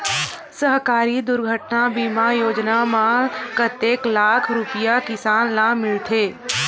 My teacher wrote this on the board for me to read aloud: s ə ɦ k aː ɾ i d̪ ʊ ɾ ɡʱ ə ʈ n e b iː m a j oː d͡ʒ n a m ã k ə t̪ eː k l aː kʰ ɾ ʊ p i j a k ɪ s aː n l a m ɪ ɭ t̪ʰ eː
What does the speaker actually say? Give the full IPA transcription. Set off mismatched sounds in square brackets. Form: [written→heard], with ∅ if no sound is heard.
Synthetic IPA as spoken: s ə ɦ k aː ɾ i d̪ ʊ ɾ ɡʱ ə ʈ n [e→a] b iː m a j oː d͡ʒ n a m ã k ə t̪ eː k l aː kʰ ɾ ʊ p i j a k ɪ s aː n l a m ɪ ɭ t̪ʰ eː